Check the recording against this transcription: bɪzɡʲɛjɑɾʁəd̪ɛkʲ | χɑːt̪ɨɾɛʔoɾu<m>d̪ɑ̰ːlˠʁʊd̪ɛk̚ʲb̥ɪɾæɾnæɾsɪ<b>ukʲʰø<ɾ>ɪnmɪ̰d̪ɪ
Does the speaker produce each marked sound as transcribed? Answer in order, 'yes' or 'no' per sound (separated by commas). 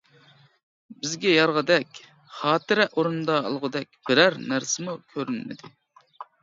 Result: no, no, yes